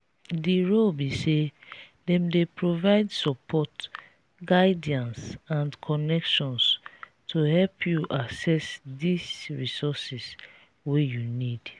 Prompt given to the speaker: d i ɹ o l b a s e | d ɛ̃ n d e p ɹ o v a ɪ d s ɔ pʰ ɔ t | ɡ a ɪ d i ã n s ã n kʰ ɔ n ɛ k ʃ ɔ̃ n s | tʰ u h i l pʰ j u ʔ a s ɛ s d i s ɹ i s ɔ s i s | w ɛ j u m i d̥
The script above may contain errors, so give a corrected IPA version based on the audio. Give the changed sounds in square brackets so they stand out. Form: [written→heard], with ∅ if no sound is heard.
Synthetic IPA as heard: d i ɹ o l b [a→i] s e | d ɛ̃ [n→m] d e p ɹ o v a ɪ d s ɔ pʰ ɔ t | ɡ a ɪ d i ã n s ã n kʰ ɔ n ɛ k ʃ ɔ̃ n s | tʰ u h [i→ɛ] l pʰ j u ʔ a s ɛ s d i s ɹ i s ɔ s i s | w [ɛ→e] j u [m→n] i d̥